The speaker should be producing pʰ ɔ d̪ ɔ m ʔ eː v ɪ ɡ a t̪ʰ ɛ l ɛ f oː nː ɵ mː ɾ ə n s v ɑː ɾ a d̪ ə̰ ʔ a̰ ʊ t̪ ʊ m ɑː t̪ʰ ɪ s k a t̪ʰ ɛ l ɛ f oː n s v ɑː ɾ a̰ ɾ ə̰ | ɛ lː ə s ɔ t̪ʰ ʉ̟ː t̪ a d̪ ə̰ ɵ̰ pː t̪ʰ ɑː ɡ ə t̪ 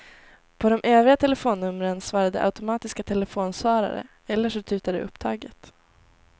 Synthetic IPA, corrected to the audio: pʰ ɔ d̪ ɔ m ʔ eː v ɪ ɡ a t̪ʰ ɛ l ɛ f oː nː ɵ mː ɾ ə n s v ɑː ɾ a d̪ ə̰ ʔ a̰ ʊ t̪ ʊ m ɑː t̪ ɪ s k a t̪ʰ ɛ l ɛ f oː n s v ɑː ɾ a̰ ɾ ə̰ | ɛ lː ə ʂ ɔ t̪ʰ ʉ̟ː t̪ a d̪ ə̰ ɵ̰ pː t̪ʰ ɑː ɡ ə t̪